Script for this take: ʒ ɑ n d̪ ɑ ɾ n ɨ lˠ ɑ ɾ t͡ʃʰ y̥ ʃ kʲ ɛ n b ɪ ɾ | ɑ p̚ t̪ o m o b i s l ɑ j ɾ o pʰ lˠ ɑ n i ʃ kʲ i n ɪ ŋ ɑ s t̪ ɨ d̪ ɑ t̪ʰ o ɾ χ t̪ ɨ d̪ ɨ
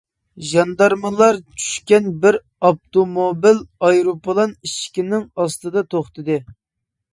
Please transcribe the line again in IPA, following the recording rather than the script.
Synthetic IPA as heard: ʒ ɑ n d̪ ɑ ɾ m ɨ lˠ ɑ ɾ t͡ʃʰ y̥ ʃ kʲ ɛ n b ɪ ɾ | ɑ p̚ t̪ o m o b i l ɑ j ɾ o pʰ lˠ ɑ n i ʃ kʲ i n ɪ ŋ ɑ s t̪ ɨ d̪ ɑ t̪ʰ o χ t̪ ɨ d̪ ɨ